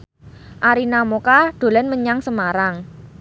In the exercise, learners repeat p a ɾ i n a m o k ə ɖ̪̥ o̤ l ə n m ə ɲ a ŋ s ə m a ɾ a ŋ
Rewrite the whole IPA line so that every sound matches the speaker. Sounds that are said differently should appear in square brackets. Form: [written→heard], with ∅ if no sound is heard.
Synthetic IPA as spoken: [p→ʔ] a ɾ i n a m o k [ə→a] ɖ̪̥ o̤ l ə n m ə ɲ a ŋ s ə m a ɾ a ŋ